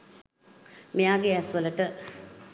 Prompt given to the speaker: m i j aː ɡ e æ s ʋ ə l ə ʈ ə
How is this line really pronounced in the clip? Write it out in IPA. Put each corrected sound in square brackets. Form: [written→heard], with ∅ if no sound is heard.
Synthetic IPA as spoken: m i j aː ɡ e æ s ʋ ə l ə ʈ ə